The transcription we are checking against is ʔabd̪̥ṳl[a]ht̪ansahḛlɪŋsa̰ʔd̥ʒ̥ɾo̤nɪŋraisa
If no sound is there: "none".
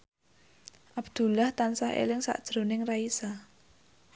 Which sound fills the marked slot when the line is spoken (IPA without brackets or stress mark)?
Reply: a